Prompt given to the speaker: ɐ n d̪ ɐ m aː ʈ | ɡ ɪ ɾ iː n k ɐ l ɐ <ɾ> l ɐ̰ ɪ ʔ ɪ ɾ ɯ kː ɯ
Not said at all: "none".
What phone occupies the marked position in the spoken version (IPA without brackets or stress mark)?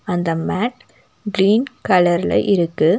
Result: ɾ